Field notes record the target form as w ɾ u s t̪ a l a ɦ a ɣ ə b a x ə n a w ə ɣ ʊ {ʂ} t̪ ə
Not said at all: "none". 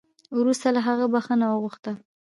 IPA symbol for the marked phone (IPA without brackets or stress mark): x